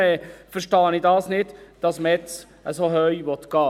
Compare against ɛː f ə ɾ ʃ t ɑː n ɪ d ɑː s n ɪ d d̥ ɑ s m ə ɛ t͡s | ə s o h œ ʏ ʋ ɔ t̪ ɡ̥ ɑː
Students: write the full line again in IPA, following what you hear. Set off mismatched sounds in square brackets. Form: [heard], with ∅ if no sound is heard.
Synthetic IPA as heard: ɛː f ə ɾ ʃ t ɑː n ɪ d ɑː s n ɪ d d̥ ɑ s m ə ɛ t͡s | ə s o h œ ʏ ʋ ɔ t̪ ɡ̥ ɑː